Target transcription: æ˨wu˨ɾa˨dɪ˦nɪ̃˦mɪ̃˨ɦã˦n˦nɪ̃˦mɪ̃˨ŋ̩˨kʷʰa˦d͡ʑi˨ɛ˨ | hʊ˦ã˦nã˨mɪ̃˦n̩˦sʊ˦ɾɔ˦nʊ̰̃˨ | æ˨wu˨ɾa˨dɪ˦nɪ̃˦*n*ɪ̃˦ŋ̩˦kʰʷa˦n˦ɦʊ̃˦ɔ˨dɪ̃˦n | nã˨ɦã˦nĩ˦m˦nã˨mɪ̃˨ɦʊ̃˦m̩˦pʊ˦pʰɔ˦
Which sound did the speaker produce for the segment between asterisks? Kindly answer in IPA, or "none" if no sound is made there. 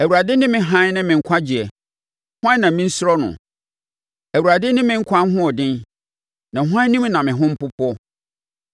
m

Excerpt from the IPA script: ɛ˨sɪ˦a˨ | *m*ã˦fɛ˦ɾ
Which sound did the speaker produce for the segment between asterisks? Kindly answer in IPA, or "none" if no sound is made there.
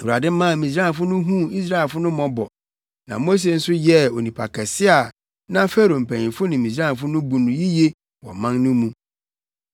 n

